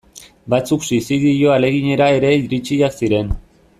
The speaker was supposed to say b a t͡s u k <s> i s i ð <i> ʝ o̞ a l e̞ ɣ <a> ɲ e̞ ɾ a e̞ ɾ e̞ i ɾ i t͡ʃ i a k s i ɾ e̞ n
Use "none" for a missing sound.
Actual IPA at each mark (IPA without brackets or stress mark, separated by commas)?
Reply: s, i, i